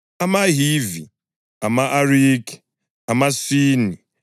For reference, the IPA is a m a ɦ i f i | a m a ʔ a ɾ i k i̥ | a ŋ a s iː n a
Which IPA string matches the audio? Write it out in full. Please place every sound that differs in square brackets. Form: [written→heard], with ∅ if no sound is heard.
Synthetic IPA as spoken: a m a ɦ i [f→v] i | a m a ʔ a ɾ i k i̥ | a [ŋ→m] a s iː n [a→i]